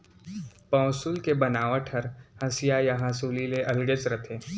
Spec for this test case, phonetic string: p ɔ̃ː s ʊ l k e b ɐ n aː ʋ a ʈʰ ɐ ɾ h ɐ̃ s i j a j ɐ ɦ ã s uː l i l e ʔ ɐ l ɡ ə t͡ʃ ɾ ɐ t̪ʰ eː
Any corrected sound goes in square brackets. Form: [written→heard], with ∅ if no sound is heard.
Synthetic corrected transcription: p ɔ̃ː s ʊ l k e b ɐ n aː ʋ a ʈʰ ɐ ɾ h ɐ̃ s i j a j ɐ ɦ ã s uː l i l e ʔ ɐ l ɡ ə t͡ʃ ɾ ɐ t̪ʰ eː